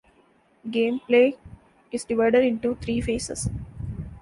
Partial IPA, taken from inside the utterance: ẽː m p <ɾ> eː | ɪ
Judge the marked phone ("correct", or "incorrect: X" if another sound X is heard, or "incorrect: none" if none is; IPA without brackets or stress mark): incorrect: l